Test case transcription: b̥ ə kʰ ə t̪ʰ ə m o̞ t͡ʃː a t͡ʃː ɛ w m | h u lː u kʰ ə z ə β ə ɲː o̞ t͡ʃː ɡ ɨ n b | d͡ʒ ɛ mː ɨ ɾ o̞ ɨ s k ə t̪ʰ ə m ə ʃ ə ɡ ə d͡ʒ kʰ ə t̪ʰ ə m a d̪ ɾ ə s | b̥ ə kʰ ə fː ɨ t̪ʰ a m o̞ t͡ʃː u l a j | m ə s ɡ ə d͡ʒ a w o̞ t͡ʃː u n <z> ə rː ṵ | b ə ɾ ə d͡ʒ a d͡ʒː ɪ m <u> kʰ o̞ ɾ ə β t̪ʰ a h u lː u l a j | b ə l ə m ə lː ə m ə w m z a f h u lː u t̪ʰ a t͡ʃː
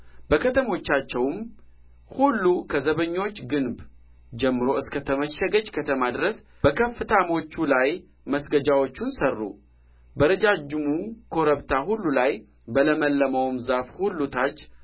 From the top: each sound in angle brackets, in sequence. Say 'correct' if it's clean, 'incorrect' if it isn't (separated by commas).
incorrect, correct